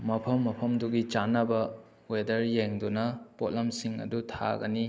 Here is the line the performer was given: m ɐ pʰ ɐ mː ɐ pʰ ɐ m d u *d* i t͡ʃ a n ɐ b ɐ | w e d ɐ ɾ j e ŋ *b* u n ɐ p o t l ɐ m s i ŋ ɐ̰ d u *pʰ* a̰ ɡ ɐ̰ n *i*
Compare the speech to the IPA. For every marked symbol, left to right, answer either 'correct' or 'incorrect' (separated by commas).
incorrect, incorrect, incorrect, correct